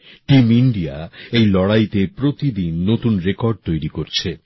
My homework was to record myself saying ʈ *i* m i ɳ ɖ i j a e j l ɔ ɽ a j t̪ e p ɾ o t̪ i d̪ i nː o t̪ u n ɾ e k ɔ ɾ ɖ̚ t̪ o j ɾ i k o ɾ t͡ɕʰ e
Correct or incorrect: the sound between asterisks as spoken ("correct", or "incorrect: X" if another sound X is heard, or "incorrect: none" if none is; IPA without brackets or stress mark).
correct